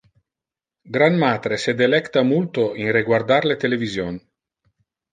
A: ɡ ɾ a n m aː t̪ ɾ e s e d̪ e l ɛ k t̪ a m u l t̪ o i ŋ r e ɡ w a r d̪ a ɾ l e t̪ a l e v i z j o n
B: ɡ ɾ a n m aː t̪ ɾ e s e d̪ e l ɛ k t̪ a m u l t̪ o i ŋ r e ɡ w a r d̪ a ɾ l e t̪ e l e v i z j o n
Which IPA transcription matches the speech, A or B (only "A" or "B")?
B